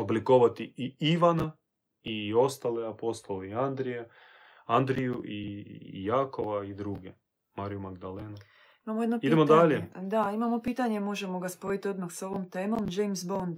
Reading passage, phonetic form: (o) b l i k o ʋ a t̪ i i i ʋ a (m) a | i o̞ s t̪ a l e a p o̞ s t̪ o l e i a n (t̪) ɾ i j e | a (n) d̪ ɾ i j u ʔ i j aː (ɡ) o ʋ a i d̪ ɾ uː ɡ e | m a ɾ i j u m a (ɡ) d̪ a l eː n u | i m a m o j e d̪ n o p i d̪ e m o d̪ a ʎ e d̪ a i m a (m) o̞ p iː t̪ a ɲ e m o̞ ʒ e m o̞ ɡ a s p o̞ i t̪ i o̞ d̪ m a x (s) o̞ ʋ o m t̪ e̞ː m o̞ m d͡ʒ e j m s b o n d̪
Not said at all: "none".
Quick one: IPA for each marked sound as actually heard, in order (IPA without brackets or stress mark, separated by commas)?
o, n, d̪, n, k, ɡ, m, s